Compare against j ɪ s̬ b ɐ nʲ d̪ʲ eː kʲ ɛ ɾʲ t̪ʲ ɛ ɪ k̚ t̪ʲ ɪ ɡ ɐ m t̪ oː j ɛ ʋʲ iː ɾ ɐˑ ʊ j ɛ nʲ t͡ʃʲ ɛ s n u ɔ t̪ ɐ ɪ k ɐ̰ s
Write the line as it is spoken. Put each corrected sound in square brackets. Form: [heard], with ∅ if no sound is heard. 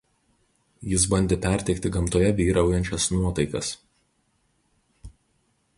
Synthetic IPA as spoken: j ɪ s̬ b ɐ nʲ d̪ʲ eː [pʲ] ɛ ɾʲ t̪ʲ ɛ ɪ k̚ t̪ʲ ɪ ɡ ɐ m t̪ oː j ɛ ʋʲ iː ɾ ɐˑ ʊ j ɛ nʲ t͡ʃʲ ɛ s n u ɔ t̪ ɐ ɪ k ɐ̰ s